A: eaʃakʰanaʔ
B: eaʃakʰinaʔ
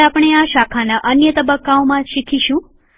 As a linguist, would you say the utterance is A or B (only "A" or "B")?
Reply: A